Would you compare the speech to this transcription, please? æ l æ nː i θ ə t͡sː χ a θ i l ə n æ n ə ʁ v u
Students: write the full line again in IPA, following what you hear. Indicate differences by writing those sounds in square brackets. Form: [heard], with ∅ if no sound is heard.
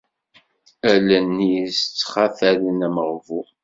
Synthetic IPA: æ l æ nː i [s] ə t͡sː χ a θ [æ] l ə n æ [m] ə ʁ v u

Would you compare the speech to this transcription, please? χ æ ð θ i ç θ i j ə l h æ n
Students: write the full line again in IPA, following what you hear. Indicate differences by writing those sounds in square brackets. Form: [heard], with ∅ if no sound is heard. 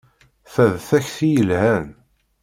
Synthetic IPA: [θ] æ ð θ [æ] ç θ i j ə l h æ n

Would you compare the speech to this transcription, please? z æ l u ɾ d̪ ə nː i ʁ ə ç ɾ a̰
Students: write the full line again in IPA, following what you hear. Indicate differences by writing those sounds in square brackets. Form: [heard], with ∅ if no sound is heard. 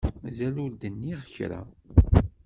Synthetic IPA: z æ l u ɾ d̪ ə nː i ʁ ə ç ɾ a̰

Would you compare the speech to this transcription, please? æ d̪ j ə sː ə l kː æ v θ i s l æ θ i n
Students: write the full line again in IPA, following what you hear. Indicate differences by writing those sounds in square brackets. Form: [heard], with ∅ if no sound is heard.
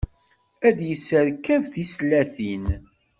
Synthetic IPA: æ d̪ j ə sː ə [ɾ] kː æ v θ i s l æ θ i n

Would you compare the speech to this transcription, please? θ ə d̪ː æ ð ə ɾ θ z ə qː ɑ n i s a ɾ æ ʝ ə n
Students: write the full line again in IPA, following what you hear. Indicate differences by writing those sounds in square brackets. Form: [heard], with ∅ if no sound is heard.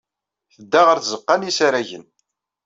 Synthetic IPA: θ ə d̪ː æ [ʁ] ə ɾ θ z ə qː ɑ n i s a ɾ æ ʝ ə n

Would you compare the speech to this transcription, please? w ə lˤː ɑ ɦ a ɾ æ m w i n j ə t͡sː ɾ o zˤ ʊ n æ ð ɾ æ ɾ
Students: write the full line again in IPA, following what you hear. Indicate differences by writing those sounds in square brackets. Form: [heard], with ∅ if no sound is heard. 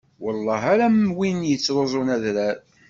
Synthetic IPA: w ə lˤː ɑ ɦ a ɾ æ m w i n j ə t͡sː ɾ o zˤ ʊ n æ ð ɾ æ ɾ

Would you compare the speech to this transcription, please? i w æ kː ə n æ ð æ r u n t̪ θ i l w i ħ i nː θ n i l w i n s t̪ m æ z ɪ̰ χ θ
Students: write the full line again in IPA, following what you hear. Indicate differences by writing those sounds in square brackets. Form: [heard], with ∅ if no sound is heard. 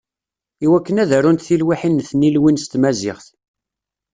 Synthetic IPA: i w æ kː ə n æ ð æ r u n t̪ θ i l w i ħ i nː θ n i l w i n s t̪ m æ z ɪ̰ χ θ

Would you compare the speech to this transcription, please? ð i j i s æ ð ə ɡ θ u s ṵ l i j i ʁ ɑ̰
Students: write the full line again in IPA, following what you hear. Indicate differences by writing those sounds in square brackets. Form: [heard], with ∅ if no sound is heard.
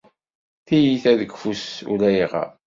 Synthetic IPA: [θ] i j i [θ] æ ð ə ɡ [f] u s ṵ l [æ] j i ʁ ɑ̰

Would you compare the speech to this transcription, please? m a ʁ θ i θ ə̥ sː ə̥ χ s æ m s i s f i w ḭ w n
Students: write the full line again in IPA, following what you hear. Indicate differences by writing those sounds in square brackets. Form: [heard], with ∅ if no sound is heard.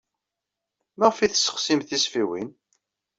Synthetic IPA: m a ʁ [f] i θ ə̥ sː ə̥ χ s [i] m [θ] i s f i w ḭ [∅] n

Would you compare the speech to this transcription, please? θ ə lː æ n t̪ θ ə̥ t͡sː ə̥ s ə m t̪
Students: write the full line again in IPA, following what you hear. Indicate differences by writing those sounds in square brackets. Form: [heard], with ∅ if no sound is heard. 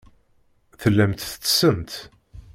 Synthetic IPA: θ ə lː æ [m] t̪ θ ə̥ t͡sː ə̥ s ə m t̪

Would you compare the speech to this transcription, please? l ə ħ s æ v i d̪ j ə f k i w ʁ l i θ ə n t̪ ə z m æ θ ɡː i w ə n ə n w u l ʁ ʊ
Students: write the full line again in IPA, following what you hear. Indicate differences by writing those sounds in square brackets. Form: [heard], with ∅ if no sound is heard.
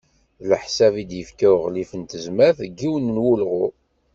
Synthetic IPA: l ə ħ s æ v i d̪ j ə f k [æ] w ʁ l i [f] ə n t̪ ə z m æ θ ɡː i w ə n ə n w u l ʁ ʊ

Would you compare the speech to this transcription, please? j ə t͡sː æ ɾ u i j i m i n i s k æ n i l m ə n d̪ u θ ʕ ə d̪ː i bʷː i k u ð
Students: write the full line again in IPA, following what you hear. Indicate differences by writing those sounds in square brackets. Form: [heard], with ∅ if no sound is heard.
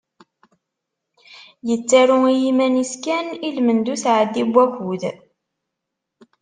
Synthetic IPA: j ə t͡sː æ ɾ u i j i m [æ] n i s k æ n i l m ə n d̪ u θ ʕ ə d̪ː i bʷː [æ] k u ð

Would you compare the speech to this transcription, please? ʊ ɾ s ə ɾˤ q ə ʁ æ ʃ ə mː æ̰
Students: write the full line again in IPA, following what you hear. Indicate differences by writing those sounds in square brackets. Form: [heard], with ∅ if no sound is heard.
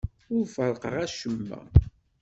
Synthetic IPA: ʊ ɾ [f] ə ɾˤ q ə ʁ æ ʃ ə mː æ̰

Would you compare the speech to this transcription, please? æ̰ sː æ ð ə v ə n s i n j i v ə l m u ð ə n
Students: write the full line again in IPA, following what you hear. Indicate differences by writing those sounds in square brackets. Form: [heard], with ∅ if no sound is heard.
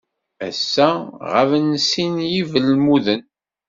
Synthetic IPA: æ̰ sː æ [ʁ] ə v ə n s i n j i v ə l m u ð ə n

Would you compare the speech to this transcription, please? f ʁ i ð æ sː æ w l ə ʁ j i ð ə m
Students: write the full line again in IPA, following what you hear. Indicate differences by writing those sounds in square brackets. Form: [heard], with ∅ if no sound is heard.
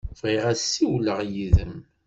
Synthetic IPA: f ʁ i [ʁ] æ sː [i] w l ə ʁ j i ð ə m

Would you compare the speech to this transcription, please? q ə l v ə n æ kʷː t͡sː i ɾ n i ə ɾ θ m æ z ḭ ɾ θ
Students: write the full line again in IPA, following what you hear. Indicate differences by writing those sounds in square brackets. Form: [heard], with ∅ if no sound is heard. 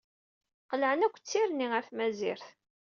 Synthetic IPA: q ə l [ʕ] ə n æ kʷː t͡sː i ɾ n i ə ɾ θ m æ z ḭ ɾ θ

